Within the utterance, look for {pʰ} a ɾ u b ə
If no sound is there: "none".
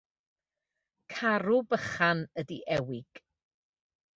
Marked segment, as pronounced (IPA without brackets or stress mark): kʰ